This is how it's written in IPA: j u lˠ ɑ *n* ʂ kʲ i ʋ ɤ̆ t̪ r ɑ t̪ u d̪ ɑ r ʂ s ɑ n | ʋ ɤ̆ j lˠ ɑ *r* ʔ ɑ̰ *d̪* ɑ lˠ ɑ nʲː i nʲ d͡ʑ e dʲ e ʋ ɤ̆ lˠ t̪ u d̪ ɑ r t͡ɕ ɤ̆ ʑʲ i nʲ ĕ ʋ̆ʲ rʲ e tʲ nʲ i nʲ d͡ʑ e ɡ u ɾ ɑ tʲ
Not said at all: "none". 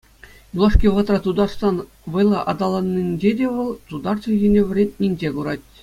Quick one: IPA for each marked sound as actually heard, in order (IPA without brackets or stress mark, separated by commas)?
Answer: none, none, d̪